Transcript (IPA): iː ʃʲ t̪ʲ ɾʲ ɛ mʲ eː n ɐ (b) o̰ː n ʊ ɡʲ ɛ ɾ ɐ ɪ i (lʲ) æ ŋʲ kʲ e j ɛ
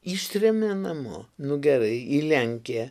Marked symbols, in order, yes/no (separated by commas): no, yes